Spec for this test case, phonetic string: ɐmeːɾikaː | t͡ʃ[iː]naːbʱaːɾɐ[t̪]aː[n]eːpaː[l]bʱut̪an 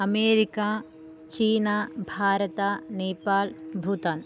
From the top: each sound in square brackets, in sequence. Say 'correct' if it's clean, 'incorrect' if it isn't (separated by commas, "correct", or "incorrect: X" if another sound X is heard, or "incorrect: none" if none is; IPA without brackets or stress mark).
correct, correct, correct, correct